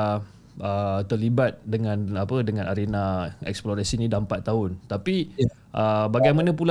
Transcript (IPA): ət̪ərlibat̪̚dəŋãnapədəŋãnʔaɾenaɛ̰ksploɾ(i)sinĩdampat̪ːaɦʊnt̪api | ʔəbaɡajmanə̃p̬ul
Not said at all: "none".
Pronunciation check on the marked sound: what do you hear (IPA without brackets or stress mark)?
a